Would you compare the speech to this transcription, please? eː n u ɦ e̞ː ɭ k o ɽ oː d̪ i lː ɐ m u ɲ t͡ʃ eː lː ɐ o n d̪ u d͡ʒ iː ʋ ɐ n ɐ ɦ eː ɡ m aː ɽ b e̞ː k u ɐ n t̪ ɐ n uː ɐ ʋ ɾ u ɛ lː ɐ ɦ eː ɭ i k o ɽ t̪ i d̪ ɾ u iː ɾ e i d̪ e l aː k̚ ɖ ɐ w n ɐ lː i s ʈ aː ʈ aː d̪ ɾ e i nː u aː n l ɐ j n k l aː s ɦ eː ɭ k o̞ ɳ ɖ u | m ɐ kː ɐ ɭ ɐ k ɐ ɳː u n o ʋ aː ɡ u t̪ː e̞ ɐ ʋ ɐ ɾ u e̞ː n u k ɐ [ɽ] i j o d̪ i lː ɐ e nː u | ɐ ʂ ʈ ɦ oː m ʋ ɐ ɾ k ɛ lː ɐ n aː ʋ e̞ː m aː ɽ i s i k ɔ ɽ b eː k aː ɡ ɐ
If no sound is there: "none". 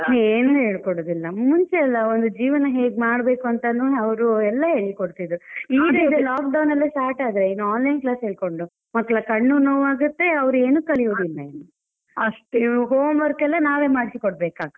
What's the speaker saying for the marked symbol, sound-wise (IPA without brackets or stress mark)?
ɭ